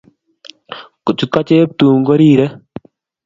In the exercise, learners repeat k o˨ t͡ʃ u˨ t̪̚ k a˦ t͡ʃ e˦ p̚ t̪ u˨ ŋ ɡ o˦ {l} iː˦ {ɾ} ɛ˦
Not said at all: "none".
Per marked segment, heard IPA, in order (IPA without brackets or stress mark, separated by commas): ɾ, ɾ